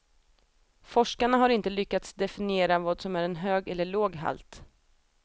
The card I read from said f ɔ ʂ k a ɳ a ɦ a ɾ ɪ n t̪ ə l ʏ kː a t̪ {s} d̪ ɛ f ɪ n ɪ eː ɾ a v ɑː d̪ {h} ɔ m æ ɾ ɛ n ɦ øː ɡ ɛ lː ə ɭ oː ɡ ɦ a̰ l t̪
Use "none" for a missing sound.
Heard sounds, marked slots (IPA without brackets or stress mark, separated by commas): s, s